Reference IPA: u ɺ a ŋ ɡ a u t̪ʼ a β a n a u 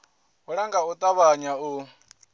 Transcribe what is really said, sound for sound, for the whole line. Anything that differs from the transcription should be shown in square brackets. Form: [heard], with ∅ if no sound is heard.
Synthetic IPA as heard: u ɺ a ŋ ɡ a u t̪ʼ a β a [ɲ] a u